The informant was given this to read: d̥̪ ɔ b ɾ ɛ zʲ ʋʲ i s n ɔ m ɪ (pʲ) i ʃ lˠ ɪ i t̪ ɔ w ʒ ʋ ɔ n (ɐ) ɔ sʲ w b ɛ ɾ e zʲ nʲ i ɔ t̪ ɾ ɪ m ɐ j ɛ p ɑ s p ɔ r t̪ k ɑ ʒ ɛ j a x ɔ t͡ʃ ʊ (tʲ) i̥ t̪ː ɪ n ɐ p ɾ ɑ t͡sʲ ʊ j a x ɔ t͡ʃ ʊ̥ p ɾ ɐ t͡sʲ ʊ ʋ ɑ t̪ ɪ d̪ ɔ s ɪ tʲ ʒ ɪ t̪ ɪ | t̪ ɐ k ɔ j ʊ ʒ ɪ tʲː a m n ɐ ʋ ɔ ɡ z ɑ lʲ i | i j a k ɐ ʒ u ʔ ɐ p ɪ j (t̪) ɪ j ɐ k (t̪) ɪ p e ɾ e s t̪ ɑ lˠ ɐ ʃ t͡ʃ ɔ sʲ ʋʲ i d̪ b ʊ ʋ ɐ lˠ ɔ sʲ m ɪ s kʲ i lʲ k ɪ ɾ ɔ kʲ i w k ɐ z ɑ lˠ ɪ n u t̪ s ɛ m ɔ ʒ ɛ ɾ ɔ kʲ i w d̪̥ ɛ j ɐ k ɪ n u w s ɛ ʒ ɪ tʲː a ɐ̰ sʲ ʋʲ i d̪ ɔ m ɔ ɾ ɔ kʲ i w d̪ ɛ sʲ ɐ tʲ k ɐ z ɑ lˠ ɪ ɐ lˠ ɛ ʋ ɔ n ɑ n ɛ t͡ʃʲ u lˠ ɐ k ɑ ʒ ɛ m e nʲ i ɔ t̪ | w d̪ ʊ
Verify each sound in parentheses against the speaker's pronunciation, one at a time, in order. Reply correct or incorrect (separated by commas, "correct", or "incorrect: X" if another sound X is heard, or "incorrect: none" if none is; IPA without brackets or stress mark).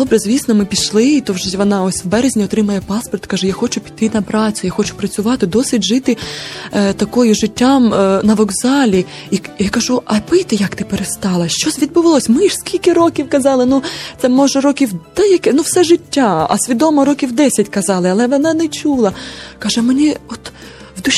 correct, incorrect: ɑ, incorrect: pʲ, correct, correct